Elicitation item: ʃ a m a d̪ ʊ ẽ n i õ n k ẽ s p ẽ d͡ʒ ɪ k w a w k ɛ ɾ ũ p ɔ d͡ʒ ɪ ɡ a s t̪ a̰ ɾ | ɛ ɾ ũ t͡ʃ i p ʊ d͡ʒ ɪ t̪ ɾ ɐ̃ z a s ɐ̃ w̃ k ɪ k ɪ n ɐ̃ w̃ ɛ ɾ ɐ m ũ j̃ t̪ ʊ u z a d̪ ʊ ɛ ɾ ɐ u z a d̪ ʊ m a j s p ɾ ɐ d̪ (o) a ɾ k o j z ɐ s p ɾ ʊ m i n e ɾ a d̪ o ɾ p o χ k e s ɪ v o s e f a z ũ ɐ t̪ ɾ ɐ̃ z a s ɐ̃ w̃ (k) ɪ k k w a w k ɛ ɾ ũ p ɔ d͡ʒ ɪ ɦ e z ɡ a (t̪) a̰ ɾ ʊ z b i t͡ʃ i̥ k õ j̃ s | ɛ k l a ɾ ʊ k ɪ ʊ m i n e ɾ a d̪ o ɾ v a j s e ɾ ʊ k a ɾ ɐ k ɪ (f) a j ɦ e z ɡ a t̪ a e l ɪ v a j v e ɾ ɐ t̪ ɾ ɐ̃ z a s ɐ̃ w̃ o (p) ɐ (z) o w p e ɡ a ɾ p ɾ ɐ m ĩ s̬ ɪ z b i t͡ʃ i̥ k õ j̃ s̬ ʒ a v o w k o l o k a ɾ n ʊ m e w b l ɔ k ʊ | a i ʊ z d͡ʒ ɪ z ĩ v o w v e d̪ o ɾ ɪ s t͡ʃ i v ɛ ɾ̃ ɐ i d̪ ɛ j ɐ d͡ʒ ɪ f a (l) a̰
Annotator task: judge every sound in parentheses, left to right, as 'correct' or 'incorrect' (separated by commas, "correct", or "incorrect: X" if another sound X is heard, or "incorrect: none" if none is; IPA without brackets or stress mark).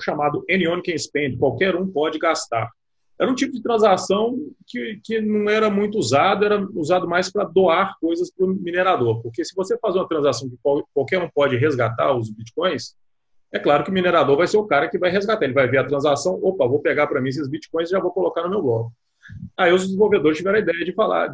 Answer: correct, correct, correct, incorrect: v, correct, incorrect: v, correct